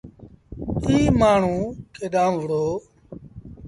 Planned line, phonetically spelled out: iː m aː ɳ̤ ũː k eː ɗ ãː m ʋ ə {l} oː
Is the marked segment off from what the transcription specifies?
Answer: yes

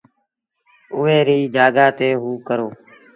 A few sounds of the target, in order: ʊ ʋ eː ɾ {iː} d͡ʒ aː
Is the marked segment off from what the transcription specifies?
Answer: no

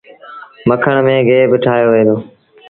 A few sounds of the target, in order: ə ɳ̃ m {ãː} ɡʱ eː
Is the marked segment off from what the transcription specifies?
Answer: yes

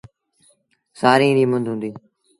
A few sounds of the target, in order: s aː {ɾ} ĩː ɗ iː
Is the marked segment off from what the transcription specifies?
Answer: no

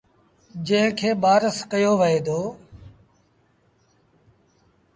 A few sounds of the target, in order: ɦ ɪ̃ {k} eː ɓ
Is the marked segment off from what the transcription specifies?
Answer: yes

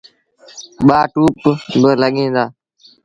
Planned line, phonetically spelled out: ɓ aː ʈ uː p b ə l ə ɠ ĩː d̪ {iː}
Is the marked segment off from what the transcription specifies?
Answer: yes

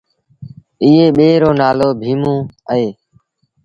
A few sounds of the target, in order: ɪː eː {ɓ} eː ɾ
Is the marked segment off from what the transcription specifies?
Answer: no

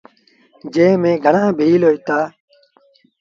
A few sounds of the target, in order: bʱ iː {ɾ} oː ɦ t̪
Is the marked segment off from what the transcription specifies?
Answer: yes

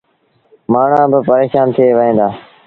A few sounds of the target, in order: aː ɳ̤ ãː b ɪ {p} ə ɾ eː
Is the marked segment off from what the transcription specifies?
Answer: no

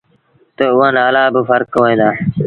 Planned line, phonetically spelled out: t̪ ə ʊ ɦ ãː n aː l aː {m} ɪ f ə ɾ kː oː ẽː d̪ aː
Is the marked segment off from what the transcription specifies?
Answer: yes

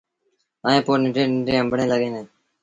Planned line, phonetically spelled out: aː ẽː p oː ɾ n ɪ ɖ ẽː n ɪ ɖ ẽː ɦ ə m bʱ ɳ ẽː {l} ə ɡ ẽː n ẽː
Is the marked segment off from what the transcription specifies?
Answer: no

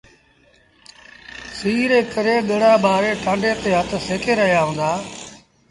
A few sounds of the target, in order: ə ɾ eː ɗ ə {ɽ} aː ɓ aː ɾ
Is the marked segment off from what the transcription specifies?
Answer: no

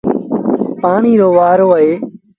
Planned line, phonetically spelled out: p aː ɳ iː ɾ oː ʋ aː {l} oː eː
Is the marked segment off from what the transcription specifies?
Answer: yes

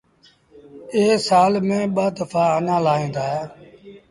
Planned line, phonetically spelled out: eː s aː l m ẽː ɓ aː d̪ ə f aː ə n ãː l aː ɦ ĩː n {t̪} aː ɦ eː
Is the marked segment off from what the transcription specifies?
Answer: yes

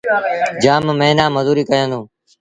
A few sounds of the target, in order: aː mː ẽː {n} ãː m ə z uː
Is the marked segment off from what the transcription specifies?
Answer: no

